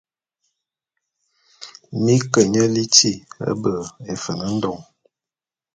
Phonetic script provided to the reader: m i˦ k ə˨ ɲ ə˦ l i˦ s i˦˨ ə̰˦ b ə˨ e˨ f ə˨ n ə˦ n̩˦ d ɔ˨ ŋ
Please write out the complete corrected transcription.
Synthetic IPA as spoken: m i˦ k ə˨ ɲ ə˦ l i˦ t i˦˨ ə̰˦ b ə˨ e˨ f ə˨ n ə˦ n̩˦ d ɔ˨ ŋ

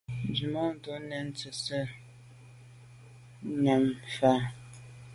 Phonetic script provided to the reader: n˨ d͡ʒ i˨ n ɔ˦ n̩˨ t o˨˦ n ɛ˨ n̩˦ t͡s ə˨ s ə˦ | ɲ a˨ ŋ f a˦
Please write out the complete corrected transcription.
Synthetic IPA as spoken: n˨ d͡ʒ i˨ m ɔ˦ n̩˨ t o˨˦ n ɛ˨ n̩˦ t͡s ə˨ s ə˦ | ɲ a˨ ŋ f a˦

